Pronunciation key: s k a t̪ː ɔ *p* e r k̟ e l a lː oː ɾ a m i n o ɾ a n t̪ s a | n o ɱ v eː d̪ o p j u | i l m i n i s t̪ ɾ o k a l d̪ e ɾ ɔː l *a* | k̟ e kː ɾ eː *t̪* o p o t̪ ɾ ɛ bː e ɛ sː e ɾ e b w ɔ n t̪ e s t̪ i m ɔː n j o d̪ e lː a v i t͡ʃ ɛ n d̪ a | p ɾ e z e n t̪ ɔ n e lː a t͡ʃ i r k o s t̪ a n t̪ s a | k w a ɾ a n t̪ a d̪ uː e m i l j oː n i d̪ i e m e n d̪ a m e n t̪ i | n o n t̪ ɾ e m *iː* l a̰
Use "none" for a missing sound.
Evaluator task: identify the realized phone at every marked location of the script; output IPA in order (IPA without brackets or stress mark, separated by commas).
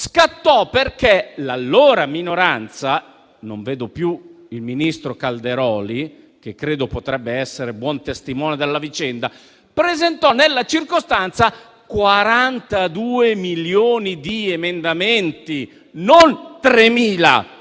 p, i, d̪, iː